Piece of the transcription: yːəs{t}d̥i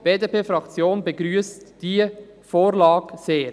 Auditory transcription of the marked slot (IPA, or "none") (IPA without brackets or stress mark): t